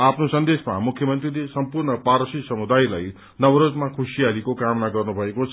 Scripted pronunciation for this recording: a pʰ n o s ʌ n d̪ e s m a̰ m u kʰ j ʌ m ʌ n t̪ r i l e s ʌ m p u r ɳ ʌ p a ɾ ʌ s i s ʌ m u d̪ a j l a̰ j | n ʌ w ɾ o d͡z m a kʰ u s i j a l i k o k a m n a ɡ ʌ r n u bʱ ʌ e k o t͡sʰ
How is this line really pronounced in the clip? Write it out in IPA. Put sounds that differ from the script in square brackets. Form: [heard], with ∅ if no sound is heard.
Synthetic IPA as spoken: a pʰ n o s ʌ n d̪ e s m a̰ m u kʰ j ʌ m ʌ n t̪ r i l e s ʌ m p u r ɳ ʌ p a ɾ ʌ s i s ʌ m u d̪ a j l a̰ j | n ʌ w ɾ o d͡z m a kʰ u s i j a l i k o k a m n a ɡ ʌ r n u bʱ ʌ e k o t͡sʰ